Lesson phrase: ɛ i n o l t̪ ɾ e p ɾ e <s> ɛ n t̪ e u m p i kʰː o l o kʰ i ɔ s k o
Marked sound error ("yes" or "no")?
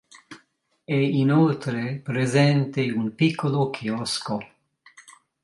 yes